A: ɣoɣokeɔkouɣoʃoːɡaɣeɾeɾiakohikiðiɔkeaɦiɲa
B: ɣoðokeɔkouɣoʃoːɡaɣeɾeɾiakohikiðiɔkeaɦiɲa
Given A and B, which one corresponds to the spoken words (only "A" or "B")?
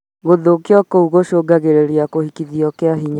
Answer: B